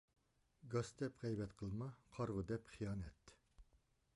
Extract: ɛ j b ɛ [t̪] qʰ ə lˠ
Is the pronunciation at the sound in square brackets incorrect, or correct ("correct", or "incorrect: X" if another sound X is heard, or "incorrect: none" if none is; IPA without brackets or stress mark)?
correct